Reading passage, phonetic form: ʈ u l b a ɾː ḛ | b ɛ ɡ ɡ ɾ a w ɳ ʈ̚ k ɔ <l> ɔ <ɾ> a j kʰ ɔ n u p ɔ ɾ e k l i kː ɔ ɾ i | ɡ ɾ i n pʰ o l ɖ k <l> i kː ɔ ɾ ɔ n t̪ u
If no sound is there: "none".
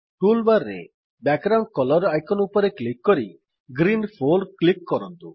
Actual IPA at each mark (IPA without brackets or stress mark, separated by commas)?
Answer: l, ɾ, l